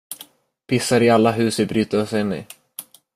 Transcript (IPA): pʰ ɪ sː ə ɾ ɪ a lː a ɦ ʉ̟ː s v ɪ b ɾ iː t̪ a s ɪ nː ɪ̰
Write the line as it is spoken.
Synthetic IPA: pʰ ɪ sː a ɾ ɪ a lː a ɦ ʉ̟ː s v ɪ b ɾ yː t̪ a s ɪ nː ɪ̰